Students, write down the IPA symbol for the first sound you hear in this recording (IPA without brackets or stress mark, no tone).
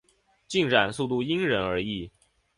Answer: t͡ɕ